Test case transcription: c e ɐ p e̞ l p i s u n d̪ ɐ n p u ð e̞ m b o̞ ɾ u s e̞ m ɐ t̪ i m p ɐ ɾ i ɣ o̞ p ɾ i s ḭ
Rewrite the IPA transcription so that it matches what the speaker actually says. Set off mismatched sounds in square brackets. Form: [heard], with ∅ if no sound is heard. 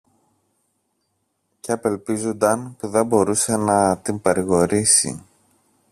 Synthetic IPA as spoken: c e ɐ p e̞ l p i [z] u n d̪ ɐ n p u ð e̞ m b o̞ ɾ u s e̞ [n] ɐ t̪ i m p ɐ ɾ i ɣ o̞ [∅] ɾ i s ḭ